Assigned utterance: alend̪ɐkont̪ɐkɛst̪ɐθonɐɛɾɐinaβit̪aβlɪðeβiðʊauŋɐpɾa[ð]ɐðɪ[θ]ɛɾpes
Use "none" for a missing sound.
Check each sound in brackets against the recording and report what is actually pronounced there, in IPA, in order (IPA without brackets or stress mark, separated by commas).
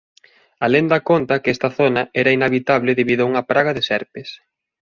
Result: ɣ, s